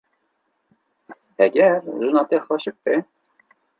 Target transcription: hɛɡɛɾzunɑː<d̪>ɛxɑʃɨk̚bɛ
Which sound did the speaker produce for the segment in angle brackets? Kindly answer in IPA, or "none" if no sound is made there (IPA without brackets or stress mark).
t̪